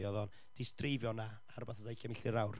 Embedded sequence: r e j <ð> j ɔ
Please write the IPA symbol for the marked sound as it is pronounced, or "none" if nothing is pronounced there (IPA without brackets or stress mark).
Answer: v